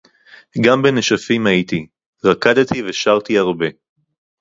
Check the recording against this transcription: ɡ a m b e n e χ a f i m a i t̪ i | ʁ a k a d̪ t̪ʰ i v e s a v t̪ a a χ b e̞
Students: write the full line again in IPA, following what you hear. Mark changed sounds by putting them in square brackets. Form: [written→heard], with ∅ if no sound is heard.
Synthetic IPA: ɡ a m b e n e [χ→ʃ] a f i m a i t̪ i | ʁ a k a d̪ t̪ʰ i v e [s→ʃ] a [v→ʁ] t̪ [a→i] a [χ→ʁ] b e̞